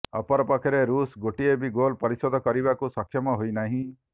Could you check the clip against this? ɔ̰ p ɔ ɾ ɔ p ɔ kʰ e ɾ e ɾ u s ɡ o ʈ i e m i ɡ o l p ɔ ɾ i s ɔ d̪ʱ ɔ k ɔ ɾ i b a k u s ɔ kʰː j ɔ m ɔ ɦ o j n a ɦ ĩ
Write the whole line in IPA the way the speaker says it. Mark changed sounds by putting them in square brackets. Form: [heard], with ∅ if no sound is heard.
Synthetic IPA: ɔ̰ p ɔ ɾ ɔ p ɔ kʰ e ɾ e ɾ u s ɡ o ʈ i e [b] i ɡ o l p ɔ ɾ i s ɔ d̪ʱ ɔ k ɔ ɾ i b a k u s ɔ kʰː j ɔ m ɔ ɦ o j n a ɦ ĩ